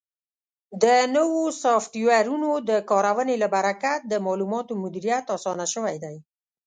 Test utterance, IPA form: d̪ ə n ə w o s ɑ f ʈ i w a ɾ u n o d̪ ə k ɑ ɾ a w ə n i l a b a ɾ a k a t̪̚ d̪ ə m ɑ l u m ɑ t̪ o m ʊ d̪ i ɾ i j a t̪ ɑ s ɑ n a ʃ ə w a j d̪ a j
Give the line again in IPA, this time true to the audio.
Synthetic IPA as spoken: d̪ ə n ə w o s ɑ f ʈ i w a ɾ u n o d̪ ə k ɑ ɾ a w ə n e l a b a ɾ a k a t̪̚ d̪ ə m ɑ l u m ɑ t̪ o m ʊ d̪ i ɾ i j a t̪ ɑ s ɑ n a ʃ ə w a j d̪ a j